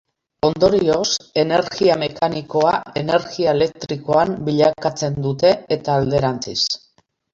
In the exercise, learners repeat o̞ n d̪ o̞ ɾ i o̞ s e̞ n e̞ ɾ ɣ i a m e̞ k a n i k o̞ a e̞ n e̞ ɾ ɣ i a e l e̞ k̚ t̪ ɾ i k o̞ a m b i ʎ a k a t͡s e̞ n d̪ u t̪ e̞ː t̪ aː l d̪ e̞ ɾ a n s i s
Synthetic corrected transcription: o̞ n d̪ o̞ ɾ i o̞ s e̞ n e̞ ɾ ɣ i a m e̞ k a n i k o̞ a e̞ n e̞ ɾ ɣ i a e l e̞ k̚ t̪ ɾ i k o̞ a m b i ʎ a k a t͡s e̞ n d̪ u t̪ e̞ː t̪ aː l d̪ e̞ ɾ a n t͡s i s